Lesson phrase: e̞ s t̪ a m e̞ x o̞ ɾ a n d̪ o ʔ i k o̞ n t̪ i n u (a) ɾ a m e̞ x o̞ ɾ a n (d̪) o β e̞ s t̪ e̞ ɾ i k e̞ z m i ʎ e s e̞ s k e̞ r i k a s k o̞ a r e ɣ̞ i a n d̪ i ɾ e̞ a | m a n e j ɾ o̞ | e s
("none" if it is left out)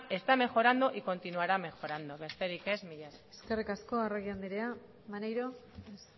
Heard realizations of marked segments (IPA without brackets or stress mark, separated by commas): a, d̪